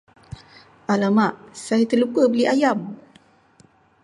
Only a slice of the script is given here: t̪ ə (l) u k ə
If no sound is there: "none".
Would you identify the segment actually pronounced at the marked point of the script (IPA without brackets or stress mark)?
l